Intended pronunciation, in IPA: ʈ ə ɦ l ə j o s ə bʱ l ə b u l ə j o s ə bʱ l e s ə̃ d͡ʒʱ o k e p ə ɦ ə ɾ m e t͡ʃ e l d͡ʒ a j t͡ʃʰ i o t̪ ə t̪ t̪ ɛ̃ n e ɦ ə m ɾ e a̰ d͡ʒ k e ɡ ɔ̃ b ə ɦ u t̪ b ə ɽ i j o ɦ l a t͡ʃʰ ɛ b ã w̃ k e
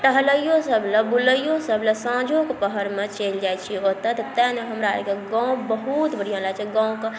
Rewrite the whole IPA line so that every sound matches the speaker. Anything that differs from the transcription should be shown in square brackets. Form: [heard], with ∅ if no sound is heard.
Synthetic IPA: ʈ ə ɦ l ə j o s ə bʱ l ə b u l ə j o s ə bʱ l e s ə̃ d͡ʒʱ o k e p ə ɦ ə ɾ m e t͡ʃ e l d͡ʒ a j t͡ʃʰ i o t̪ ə t̪ t̪ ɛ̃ n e ɦ ə m ɾ [a] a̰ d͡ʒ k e ɡ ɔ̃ b ə ɦ u t̪ b ə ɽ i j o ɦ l a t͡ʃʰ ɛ [ɡ] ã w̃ k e